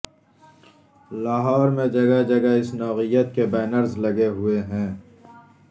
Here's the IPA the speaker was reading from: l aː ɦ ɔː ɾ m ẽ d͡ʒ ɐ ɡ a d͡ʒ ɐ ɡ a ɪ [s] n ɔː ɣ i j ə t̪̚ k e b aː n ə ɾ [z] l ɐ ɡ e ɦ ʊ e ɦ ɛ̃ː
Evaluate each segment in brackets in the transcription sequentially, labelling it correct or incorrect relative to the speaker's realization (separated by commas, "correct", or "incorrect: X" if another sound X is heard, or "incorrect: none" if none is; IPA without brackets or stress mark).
correct, correct